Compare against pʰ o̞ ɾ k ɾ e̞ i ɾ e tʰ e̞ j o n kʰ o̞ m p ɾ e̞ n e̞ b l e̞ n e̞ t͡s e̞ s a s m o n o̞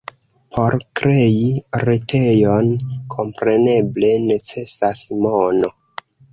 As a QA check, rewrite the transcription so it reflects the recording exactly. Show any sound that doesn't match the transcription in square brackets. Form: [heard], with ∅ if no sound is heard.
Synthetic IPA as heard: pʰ o̞ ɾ k ɾ e̞ i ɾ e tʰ e̞ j o n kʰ o̞ m p ɾ e̞ n e̞ b l e̞ n e̞ t͡s e̞ s a s m o n o̞